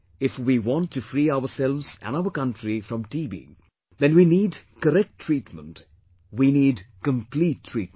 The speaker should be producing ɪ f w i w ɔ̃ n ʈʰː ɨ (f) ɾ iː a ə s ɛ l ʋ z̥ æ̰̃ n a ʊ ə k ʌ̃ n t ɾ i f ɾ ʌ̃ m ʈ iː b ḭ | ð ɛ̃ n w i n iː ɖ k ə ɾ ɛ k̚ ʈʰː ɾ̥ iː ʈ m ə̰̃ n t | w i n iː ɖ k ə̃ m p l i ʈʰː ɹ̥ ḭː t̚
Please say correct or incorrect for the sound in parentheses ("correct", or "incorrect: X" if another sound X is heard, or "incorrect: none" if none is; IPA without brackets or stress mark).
correct